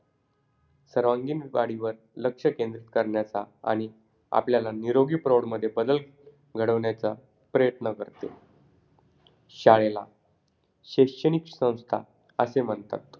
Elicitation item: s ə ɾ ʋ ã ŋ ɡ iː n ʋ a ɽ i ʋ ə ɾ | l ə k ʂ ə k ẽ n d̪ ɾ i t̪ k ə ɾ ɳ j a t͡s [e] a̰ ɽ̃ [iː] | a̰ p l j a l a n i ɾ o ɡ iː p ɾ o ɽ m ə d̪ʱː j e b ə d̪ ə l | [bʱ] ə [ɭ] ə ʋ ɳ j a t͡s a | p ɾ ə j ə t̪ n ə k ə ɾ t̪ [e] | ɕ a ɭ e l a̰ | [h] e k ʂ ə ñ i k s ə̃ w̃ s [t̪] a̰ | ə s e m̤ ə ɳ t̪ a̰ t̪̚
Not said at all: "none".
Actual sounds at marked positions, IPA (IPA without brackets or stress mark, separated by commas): a, i, ɡʱ, ɽ, e, ɕ, t̪ʰ